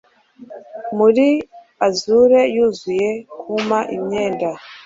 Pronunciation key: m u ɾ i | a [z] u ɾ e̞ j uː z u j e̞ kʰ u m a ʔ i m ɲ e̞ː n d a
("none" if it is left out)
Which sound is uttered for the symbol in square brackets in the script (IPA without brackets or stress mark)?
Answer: z